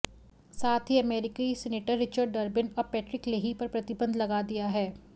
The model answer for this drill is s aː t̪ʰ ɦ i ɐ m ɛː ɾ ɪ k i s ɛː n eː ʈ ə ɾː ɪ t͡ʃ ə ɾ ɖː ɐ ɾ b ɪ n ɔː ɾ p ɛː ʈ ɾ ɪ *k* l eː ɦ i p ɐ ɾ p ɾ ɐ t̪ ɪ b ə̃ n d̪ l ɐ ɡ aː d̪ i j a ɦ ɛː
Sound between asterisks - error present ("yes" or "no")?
no